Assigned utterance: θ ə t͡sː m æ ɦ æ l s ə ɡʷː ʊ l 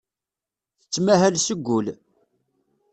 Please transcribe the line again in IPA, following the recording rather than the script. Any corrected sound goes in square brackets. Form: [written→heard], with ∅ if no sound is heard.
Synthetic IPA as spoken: θ ə t͡sː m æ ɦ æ l s ə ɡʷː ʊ l